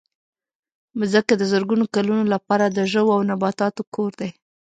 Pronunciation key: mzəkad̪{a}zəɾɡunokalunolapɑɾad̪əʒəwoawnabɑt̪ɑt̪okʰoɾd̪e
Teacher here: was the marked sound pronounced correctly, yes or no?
no